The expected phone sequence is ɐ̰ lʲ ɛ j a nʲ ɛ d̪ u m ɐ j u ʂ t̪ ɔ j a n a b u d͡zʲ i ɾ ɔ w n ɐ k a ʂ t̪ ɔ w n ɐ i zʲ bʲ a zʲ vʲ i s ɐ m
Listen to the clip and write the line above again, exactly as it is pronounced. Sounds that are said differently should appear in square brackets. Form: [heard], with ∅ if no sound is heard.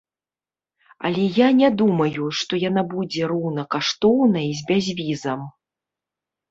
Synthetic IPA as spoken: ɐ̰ lʲ ɛ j a nʲ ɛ d̪ u m ɐ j u ʂ t̪ ɔ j a n a b u d͡zʲ [ɛ] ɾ ɔ w n ɐ k a ʂ t̪ ɔ w n ɐ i zʲ bʲ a zʲ vʲ i [z] ɐ m